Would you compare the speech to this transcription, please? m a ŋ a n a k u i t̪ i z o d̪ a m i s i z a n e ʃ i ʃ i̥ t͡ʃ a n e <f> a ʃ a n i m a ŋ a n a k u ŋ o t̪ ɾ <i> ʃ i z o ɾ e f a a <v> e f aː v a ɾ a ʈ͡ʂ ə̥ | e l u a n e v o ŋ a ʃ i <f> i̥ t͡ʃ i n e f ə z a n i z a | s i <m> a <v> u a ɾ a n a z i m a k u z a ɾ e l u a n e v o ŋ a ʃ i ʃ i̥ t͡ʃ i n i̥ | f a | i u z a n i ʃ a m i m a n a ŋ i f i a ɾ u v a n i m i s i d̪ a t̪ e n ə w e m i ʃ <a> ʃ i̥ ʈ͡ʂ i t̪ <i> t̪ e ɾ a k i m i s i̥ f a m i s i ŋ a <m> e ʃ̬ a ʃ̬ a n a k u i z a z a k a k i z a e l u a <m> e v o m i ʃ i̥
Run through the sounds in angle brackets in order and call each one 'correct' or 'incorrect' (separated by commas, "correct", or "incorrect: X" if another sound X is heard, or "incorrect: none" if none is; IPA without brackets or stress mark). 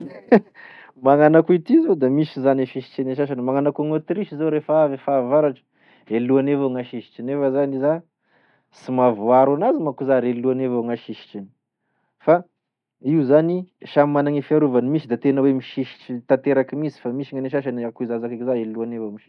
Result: incorrect: ʃ, correct, correct, incorrect: ʃ, correct, correct, incorrect: i, incorrect: a, incorrect: n, incorrect: n